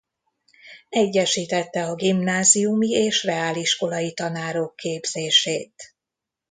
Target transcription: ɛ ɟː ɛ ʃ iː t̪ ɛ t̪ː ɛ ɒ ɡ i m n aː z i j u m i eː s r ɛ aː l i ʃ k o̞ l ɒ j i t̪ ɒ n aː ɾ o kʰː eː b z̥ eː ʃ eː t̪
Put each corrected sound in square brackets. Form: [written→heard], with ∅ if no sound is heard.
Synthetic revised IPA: ɛ ɟː ɛ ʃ iː t̪ ɛ t̪ː ɛ ɒ ɡ i m n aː z i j u m i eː [s→ʃ] r ɛ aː l i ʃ k o̞ l ɒ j i t̪ ɒ n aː ɾ o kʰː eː b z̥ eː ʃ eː t̪